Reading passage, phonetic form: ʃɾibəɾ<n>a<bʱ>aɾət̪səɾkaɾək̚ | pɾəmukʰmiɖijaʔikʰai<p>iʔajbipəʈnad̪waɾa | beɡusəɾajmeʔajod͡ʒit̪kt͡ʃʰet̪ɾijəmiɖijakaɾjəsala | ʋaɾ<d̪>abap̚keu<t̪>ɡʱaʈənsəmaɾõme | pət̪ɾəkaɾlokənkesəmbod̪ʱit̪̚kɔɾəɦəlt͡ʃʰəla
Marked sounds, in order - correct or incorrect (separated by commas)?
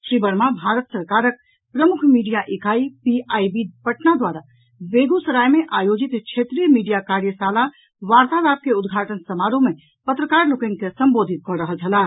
incorrect, correct, correct, incorrect, incorrect